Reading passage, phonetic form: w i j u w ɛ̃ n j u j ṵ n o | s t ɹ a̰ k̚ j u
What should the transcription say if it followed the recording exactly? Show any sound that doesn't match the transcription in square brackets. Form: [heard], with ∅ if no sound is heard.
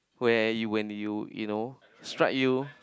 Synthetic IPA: w [ɛ] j u w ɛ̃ n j u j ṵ n o | s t ɹ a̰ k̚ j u